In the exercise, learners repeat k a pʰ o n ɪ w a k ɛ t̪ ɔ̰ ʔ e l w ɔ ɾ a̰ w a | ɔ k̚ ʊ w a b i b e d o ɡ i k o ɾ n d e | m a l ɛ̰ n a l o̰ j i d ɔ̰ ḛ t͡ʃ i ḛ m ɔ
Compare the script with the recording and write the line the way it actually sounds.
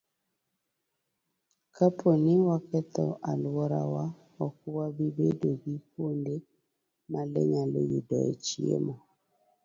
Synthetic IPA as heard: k a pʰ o n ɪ w a k ɛ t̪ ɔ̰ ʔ a l w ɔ ɾ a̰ w a | ɔ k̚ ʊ w a b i b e d o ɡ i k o n d e | m a l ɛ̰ ɲ a l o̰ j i d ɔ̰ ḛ t͡ʃ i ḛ m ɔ